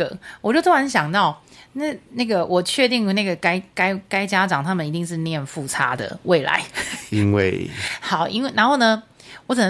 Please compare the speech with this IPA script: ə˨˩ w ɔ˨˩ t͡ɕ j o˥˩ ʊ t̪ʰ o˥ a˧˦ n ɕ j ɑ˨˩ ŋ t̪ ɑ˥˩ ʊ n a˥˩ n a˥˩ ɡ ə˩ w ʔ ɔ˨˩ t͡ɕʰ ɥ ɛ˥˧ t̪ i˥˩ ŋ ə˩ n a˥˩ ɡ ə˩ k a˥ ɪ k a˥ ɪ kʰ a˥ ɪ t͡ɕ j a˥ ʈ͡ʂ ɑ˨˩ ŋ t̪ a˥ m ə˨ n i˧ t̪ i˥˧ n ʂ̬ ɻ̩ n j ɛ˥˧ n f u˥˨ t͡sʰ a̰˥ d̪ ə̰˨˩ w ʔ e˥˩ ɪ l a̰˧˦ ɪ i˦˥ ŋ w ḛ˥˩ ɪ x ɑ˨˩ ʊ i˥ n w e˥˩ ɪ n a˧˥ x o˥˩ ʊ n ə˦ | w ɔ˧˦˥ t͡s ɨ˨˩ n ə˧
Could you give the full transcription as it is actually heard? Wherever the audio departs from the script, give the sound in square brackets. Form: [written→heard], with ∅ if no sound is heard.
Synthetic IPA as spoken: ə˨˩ w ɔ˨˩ t͡ɕ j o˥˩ ʊ t̪ʰ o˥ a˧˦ n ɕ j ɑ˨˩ ŋ t̪ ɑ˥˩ ʊ n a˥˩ n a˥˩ ɡ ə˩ w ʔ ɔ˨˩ t͡ɕʰ ɥ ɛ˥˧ t̪ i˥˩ ŋ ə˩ n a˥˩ ɡ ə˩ k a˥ ɪ k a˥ ɪ [kʰ→k] a˥ ɪ t͡ɕ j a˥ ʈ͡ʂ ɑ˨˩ ŋ [t̪→t̪ʰ] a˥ m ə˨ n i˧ t̪ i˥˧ [n→ŋ] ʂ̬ ɻ̩ n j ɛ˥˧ n f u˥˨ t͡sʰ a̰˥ d̪ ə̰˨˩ w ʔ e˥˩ ɪ l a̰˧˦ ɪ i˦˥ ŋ w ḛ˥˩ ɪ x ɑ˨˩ ʊ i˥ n w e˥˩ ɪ n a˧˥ x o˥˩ ʊ n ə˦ | w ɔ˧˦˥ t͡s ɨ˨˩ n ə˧